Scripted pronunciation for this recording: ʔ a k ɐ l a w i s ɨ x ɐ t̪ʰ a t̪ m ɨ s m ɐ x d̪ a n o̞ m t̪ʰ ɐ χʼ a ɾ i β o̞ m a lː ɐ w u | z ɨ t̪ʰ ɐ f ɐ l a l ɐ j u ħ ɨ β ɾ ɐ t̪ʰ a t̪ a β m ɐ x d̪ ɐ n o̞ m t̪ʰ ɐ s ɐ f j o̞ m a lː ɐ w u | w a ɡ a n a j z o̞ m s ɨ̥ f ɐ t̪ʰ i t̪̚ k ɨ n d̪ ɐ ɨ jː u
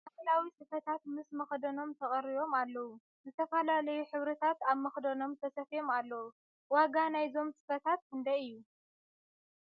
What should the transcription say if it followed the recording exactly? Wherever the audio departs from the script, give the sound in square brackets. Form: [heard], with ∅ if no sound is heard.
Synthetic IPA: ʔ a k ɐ l a w i s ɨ [f] ɐ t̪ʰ a t̪ m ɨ s m ɐ x d̪ [ɐ] n o̞ m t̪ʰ ɐ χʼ [ɐ] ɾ i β o̞ m a lː ɐ w u | z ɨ t̪ʰ ɐ f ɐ l a l ɐ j u ħ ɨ β ɾ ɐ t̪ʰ a t̪ a β m ɐ x d̪ ɐ n o̞ m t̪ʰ ɐ s ɐ f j o̞ m a lː ɐ w u | w a ɡ a n a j z o̞ m s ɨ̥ f ɐ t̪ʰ [a] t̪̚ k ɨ n d̪ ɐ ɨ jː u